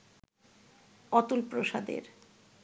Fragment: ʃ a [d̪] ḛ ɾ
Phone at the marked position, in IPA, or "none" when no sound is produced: d̪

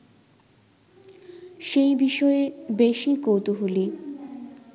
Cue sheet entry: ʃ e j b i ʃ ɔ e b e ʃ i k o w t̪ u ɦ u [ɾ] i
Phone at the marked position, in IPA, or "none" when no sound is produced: l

